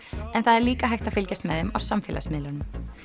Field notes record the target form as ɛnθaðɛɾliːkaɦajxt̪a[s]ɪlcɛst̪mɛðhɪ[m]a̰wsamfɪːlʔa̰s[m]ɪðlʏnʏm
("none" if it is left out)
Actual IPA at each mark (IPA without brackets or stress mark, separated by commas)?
f, m, m